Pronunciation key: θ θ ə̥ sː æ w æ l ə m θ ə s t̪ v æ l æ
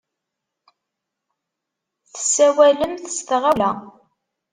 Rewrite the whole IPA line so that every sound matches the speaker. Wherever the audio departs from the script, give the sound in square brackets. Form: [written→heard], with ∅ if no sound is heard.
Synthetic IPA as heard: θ θ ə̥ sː æ w æ l ə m θ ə s t̪ [v→ʁ] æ l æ